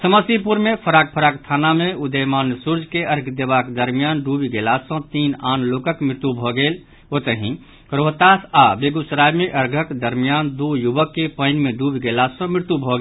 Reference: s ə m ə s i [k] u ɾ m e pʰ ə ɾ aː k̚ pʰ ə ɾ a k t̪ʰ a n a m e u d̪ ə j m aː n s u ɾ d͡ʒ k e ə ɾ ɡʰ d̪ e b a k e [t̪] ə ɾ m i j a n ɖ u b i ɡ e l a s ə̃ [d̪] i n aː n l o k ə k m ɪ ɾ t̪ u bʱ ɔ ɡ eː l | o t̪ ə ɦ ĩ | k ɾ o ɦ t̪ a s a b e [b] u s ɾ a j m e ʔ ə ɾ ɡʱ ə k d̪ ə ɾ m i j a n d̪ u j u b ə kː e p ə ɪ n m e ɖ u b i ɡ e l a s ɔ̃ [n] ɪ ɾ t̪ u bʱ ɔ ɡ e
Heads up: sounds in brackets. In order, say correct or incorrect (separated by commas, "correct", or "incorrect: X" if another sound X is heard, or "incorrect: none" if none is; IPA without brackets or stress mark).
incorrect: p, incorrect: d̪, incorrect: t̪, incorrect: ɡ, incorrect: m